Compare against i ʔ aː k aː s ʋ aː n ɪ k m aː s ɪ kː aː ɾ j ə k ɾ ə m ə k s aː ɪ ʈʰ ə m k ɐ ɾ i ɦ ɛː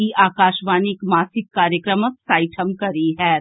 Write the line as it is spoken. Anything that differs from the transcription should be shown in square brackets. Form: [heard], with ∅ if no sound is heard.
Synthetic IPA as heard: i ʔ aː k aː [ʃ] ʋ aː n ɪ k m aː s ɪ kː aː ɾ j ə k ɾ ə m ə k s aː ɪ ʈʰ ə m k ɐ ɾ i ɦ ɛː